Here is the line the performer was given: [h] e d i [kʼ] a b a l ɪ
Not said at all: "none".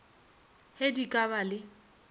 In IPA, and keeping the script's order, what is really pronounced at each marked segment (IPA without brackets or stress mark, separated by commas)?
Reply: h, kʼ